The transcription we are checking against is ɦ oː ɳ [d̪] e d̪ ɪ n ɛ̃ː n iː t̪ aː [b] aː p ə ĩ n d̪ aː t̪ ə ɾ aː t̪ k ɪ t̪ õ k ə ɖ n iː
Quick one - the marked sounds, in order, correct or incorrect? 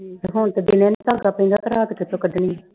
incorrect: t̪, incorrect: ɡ

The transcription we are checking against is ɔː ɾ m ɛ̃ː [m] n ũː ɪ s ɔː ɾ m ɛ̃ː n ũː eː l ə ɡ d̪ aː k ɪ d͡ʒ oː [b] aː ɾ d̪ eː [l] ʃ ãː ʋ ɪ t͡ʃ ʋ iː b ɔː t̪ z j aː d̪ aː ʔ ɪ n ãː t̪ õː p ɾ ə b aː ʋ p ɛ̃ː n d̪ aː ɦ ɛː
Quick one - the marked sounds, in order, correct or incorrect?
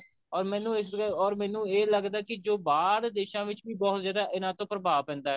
incorrect: none, correct, incorrect: none

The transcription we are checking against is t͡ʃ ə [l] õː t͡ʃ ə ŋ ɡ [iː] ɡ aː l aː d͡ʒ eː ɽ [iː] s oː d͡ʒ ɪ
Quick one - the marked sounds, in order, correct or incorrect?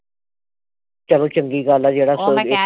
correct, correct, incorrect: aː

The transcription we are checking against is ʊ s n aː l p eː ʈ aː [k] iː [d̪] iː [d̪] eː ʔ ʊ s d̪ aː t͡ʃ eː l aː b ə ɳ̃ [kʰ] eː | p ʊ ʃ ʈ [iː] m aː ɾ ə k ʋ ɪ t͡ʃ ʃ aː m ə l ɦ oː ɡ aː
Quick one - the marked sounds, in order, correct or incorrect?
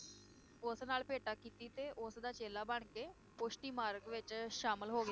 correct, incorrect: t̪, incorrect: t̪, incorrect: k, correct

